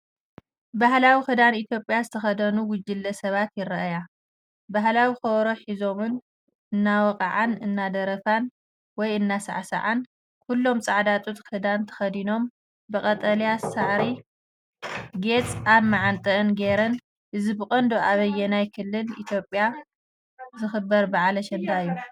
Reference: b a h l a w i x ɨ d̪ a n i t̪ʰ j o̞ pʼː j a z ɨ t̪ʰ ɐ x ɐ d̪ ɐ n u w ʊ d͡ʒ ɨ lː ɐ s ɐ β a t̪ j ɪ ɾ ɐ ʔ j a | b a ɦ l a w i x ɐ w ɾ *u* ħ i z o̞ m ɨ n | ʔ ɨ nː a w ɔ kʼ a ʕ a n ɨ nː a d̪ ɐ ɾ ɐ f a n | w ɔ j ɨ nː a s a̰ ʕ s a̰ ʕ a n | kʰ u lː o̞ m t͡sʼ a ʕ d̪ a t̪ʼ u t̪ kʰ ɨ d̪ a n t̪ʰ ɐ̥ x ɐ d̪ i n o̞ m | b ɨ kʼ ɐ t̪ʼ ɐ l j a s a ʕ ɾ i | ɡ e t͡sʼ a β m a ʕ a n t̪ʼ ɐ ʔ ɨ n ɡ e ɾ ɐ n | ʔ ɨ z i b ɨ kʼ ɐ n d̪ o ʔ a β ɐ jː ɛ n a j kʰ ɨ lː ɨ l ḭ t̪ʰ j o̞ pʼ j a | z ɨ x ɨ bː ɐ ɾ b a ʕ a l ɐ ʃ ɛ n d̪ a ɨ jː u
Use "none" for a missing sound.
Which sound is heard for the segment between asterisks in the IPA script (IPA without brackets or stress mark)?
o